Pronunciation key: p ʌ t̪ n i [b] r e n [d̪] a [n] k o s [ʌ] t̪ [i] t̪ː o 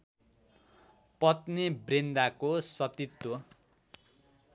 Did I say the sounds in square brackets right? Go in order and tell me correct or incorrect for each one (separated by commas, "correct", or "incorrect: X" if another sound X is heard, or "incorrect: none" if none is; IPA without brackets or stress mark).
correct, correct, incorrect: none, correct, correct